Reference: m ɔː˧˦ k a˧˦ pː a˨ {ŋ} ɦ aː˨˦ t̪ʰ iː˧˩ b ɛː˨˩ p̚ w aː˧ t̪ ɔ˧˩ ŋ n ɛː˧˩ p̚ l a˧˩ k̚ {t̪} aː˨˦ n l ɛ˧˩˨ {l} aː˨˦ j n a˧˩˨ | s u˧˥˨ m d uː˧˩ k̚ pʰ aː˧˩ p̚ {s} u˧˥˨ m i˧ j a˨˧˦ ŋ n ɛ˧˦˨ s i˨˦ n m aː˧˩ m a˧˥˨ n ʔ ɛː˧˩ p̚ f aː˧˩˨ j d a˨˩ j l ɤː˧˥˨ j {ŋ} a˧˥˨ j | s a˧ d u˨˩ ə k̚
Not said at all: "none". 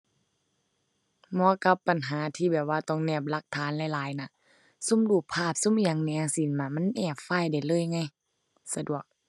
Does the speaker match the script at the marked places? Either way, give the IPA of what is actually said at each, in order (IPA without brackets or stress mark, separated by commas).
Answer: n, t̪ʰ, l, s, ŋ